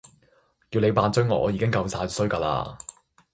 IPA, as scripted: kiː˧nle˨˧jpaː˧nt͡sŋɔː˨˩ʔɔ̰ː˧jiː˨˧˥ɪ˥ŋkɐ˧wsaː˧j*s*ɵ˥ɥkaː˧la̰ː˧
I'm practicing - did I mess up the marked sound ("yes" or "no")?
no